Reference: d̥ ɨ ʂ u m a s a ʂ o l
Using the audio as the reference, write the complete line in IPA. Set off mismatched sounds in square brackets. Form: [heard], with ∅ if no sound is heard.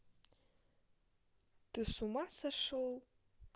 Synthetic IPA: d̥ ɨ [s] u m a s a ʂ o l